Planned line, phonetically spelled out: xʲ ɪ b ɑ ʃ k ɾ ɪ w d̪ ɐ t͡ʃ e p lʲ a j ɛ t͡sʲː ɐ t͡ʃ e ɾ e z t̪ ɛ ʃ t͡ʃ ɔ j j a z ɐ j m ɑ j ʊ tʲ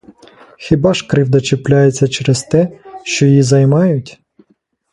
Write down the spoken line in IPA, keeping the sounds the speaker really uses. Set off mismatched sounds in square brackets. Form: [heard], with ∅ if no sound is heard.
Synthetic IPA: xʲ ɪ b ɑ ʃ k ɾ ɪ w d̪ ɐ t͡ʃ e p lʲ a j [e] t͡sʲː ɐ t͡ʃ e ɾ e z t̪ ɛ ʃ t͡ʃ ɔ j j [i] z ɐ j m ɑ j ʊ tʲ